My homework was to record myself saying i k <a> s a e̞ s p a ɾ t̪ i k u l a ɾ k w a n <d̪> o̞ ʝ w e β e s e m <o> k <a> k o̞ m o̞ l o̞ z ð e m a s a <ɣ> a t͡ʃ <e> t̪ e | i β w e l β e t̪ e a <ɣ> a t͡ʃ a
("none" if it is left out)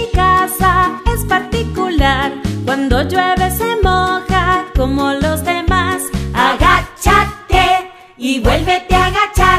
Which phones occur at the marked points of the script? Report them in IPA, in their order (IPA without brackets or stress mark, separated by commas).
a, d̪, o, a, ɣ, a, ɣ